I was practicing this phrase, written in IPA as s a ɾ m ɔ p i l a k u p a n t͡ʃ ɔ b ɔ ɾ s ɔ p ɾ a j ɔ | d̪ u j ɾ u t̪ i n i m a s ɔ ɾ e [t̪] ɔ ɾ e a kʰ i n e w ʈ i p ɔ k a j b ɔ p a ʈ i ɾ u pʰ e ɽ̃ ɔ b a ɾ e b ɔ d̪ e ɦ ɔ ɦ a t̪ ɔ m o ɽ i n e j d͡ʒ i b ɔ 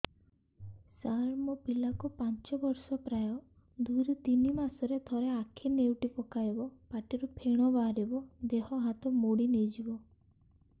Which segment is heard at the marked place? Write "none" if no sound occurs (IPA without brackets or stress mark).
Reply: t̪ʰ